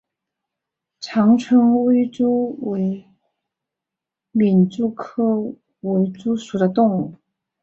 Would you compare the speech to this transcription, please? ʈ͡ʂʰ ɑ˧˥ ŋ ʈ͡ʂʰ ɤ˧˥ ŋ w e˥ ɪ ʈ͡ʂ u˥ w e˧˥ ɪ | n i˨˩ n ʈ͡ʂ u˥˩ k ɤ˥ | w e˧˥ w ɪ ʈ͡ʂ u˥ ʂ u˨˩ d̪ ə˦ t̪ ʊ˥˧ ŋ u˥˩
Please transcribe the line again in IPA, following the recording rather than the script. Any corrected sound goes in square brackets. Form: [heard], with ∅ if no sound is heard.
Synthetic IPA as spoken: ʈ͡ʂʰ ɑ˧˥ ŋ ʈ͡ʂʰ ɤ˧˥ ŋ w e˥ ɪ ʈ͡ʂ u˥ w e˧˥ ɪ | [m] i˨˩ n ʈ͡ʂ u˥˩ [kʰ] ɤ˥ | w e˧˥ [∅] ɪ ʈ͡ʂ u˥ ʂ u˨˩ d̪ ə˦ t̪ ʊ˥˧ ŋ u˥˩

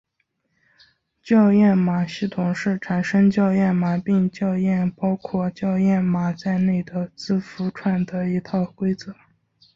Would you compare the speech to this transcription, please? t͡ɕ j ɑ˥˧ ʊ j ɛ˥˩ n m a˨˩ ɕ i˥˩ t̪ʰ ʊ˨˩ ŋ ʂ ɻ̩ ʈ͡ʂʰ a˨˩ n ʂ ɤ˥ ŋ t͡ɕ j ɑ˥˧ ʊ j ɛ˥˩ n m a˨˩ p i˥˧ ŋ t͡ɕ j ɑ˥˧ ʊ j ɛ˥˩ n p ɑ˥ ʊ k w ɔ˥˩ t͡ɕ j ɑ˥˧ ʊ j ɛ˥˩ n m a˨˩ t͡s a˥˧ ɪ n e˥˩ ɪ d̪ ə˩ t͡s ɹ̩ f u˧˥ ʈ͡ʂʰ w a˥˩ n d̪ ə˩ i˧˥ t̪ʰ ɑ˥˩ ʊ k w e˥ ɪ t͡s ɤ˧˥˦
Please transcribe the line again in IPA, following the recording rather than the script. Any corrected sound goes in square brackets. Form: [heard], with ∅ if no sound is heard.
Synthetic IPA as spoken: t͡ɕ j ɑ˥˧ ʊ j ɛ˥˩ n m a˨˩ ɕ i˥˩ t̪ʰ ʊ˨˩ ŋ ʂ ɻ̩ ʈ͡ʂʰ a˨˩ n ʂ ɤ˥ ŋ t͡ɕ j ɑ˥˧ ʊ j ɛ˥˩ n m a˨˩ p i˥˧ ŋ t͡ɕ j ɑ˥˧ ʊ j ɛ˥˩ n p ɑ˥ ʊ [kʰ] w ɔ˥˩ t͡ɕ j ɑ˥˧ ʊ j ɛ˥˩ n m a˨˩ t͡s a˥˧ ɪ n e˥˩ ɪ d̪ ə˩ t͡s ɹ̩ f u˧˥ ʈ͡ʂʰ w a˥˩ n d̪ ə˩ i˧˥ t̪ʰ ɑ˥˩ ʊ k w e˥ ɪ t͡s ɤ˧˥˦

